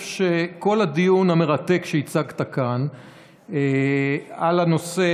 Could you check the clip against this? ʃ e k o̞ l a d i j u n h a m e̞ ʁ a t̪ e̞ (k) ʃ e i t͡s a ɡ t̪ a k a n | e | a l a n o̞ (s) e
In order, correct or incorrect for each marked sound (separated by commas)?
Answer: correct, correct